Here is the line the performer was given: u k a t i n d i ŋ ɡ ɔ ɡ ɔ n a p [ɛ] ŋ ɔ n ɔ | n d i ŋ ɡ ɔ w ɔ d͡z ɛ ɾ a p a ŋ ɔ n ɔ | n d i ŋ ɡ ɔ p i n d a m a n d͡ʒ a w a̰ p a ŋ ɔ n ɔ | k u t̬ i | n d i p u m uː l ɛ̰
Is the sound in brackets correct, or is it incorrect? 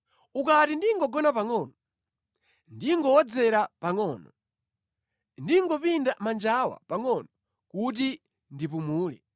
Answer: incorrect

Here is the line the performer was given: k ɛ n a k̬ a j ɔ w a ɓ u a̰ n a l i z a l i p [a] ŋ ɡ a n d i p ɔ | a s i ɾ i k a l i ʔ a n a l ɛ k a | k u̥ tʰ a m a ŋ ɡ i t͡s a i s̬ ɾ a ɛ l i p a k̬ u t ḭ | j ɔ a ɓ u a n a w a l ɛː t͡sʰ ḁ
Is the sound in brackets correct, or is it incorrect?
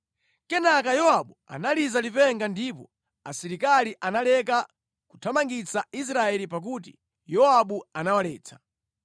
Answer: incorrect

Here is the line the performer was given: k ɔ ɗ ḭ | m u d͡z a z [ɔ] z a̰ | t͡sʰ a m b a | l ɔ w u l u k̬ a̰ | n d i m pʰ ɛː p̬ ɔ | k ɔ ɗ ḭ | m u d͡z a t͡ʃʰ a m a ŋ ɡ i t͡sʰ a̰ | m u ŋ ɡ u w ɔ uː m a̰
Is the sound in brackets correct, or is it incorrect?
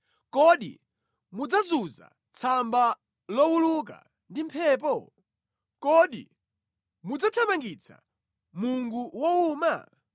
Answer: incorrect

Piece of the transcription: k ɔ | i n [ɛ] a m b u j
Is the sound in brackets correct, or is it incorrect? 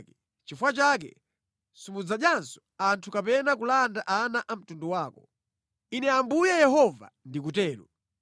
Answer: correct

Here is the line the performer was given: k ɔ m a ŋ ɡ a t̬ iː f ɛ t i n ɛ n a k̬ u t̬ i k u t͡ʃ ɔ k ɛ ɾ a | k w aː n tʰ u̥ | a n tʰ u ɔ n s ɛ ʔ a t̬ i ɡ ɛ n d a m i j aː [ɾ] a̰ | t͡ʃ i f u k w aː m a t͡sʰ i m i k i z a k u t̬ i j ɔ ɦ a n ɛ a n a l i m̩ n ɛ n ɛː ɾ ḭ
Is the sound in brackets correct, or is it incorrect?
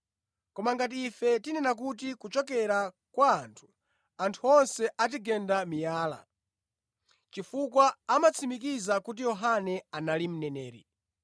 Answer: incorrect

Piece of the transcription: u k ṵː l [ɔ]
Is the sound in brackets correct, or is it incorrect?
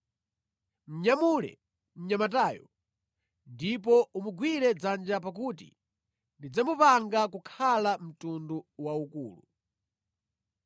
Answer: incorrect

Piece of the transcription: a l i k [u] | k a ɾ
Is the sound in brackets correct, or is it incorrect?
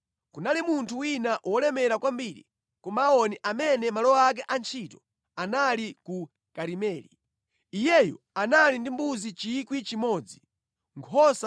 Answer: correct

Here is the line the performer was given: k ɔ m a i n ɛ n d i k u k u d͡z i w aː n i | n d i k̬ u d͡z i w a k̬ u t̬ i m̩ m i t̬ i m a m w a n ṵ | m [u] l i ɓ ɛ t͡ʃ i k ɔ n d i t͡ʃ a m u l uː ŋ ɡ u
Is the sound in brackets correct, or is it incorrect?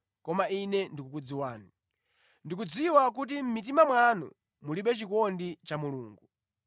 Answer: correct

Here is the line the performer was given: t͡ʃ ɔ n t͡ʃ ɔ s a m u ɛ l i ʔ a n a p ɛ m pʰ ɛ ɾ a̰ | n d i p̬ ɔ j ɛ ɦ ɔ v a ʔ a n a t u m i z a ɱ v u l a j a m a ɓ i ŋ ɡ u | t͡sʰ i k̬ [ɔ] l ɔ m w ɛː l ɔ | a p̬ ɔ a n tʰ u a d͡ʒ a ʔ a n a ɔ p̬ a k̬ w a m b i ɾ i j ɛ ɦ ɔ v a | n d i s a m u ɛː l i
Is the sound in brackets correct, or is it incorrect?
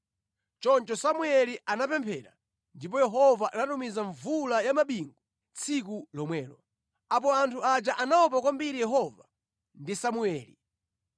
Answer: incorrect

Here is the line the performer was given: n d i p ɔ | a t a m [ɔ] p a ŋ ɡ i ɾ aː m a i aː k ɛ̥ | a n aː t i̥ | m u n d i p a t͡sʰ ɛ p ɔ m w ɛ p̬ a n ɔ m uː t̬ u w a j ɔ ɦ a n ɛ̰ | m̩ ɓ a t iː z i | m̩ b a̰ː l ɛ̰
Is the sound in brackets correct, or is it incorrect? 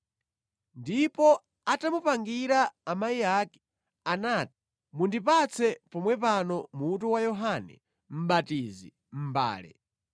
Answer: incorrect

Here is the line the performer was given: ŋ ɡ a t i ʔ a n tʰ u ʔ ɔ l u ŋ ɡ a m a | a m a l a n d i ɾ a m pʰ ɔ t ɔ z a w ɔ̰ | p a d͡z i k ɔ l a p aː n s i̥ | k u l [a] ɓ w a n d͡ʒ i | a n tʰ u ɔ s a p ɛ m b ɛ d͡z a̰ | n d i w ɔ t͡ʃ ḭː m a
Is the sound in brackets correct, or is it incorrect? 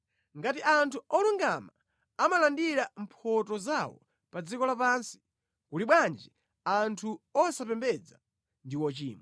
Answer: incorrect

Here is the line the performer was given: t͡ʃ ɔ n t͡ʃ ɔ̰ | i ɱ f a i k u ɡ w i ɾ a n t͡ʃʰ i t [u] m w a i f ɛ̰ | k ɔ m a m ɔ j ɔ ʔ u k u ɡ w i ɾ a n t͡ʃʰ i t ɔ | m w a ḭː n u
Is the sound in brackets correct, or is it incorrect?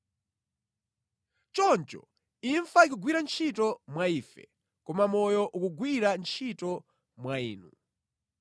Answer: incorrect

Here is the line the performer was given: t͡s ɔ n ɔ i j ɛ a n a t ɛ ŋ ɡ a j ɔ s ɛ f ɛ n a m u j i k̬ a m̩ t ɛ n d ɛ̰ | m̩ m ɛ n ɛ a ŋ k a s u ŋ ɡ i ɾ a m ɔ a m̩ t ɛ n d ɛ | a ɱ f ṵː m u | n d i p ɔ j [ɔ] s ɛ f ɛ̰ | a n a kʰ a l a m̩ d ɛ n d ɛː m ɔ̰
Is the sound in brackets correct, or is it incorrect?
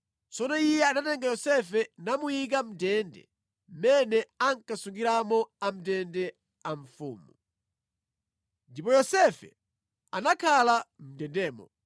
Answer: correct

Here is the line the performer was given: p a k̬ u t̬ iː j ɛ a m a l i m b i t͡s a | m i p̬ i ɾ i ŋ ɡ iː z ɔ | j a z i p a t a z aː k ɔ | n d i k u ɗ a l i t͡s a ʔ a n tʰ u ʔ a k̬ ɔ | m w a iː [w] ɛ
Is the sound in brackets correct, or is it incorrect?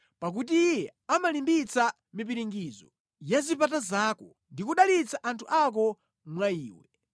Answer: correct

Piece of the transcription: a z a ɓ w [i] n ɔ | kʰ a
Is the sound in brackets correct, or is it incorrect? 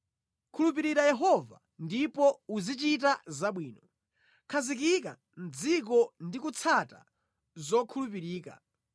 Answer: incorrect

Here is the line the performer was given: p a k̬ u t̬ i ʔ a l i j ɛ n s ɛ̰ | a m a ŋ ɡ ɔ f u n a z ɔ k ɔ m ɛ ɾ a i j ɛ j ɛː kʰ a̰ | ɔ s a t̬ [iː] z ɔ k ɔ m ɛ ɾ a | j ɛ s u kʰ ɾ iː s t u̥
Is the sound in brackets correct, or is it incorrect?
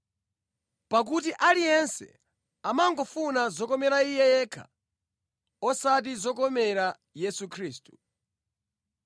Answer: incorrect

